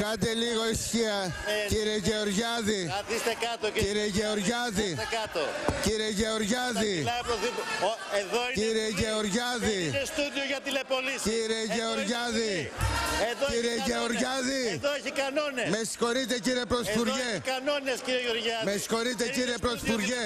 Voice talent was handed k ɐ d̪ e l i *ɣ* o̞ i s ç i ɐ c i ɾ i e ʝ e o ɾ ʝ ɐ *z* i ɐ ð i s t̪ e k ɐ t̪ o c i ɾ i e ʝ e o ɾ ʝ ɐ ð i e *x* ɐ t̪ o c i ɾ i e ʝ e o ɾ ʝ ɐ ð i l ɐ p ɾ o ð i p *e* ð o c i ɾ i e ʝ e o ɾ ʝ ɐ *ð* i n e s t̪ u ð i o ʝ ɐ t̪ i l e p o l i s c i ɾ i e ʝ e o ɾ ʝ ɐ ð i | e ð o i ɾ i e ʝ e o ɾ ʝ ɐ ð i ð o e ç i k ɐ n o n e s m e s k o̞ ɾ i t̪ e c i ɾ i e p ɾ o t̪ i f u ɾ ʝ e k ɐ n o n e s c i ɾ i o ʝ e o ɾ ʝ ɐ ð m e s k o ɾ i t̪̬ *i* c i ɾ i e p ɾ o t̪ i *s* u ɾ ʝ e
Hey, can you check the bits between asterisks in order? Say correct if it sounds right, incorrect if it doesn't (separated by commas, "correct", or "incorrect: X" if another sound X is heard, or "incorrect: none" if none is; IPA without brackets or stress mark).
correct, incorrect: ð, incorrect: k, correct, correct, incorrect: e, incorrect: f